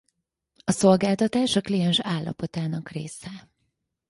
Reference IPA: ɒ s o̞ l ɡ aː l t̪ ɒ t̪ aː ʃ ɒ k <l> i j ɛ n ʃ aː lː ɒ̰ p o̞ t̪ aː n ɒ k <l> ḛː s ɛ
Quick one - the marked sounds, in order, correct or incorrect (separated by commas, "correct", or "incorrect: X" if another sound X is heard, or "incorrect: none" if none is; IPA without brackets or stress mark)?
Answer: correct, incorrect: r